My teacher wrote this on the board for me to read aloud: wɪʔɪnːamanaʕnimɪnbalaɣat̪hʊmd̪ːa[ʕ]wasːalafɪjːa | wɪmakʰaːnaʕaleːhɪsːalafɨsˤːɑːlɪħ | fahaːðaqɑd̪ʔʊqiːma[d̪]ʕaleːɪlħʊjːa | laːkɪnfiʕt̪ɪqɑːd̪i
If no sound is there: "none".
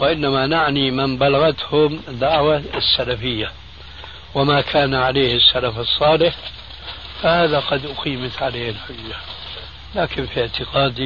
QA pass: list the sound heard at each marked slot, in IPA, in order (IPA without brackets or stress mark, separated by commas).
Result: ʕ, t̪